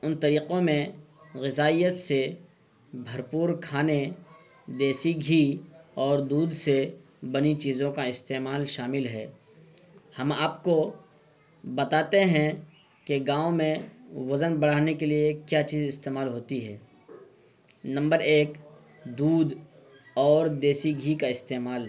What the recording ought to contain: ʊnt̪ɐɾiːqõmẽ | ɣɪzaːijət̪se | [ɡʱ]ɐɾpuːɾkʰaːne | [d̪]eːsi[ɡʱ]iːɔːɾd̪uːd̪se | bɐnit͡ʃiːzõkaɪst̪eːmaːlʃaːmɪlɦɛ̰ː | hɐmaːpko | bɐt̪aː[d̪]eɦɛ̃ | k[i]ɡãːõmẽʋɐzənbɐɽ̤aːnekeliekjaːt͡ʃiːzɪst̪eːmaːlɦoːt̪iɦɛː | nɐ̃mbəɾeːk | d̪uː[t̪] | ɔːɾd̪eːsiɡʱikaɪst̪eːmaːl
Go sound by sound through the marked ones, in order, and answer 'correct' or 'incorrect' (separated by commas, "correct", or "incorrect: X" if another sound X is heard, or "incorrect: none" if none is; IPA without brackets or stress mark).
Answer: incorrect: bʱ, correct, correct, incorrect: t̪, incorrect: e, incorrect: d̪